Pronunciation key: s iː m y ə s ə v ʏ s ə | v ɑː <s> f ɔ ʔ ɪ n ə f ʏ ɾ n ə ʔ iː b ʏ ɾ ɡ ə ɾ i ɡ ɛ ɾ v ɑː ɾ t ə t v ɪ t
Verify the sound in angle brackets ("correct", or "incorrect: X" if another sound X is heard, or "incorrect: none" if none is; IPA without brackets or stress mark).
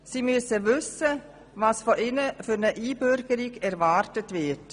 correct